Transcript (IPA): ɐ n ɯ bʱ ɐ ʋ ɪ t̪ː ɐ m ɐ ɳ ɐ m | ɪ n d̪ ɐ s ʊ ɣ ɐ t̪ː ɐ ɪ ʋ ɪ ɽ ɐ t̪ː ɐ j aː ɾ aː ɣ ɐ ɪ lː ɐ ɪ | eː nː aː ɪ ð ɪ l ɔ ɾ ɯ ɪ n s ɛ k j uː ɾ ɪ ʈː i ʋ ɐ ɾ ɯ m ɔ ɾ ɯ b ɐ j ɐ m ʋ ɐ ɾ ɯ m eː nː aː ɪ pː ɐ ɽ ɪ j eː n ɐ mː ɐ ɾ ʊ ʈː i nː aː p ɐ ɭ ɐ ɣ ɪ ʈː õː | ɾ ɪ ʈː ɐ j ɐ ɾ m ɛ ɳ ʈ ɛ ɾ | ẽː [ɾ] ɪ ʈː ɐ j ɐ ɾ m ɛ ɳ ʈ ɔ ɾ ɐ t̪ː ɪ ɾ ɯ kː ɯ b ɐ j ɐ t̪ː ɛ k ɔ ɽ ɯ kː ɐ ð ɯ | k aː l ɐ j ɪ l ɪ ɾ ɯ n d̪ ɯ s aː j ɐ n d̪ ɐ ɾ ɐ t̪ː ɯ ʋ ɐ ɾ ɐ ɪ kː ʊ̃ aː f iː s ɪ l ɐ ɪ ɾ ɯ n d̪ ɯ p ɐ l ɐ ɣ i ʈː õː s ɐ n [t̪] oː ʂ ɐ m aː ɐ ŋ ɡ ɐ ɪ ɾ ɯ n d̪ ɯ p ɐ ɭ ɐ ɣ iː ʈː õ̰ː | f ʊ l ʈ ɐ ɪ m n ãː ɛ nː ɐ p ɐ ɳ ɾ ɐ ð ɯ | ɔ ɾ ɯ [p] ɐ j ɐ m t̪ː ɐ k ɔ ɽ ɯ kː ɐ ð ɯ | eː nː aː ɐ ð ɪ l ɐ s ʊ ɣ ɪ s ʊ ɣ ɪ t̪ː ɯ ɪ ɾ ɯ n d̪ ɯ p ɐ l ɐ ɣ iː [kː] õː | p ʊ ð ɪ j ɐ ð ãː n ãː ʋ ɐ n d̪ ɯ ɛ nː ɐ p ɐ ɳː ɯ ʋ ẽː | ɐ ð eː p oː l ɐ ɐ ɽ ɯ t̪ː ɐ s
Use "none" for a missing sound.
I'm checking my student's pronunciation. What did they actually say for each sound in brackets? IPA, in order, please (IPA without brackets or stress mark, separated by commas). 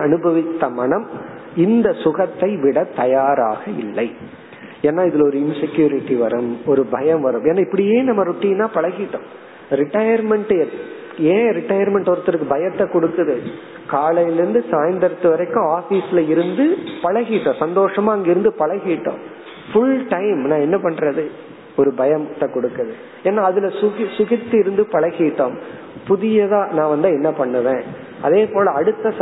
ɾ, d̪, b, ʈː